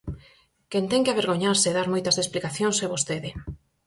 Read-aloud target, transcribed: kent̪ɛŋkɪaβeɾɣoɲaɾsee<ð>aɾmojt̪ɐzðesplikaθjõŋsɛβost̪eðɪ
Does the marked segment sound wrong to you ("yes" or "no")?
no